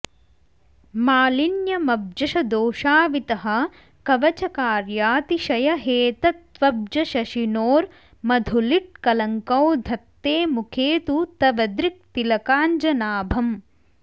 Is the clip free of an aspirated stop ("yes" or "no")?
no